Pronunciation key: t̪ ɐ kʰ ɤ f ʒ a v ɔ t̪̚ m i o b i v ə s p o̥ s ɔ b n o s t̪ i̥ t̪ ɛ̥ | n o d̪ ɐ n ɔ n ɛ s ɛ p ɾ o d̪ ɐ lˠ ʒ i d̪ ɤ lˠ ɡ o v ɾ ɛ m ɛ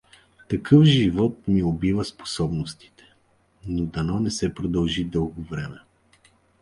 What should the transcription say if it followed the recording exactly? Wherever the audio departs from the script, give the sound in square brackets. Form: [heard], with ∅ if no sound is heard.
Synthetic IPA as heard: t̪ ɐ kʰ ɤ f ʒ [i] v ɔ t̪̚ m i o b i v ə s p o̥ s ɔ b n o s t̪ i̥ t̪ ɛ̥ | n o d̪ ɐ n ɔ n ɛ s ɛ p ɾ o d̪ ɐ lˠ ʒ i d̪ ɤ lˠ ɡ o v ɾ ɛ m ɛ